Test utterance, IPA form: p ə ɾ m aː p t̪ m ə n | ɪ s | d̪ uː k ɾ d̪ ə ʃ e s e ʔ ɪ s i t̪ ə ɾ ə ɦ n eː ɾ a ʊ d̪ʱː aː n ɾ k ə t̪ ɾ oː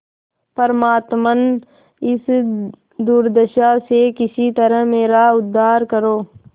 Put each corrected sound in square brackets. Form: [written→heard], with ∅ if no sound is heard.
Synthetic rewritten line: p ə ɾ m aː [p→∅] t̪ m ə n | ɪ s | d̪ uː [k→∅] ɾ d̪ ə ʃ [e→a] s e [ʔ→k] ɪ s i t̪ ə ɾ ə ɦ [n→m] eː ɾ a ʊ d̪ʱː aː [n→∅] ɾ k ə [t̪→∅] ɾ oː